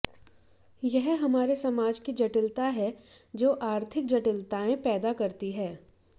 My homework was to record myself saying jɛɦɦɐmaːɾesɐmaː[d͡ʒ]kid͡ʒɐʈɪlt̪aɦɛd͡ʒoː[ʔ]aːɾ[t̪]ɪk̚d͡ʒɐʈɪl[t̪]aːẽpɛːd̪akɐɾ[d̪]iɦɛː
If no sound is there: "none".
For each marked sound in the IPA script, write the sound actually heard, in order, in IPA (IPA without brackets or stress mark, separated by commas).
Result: d͡ʒ, ʔ, t̪ʰ, t̪, t̪